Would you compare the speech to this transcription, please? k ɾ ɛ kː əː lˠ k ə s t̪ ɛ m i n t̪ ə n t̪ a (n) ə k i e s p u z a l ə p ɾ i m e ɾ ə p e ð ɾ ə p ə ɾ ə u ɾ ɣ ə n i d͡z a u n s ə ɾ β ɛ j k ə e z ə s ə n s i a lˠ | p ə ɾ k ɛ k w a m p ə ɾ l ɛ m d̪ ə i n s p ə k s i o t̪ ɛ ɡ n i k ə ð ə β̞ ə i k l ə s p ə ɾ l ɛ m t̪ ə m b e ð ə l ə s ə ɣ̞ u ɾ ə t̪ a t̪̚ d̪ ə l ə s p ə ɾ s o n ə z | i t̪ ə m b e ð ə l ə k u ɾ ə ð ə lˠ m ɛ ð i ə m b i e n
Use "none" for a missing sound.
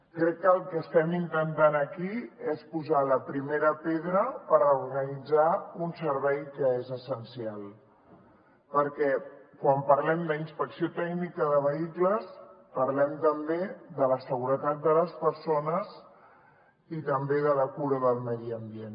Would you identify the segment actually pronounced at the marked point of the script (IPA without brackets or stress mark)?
n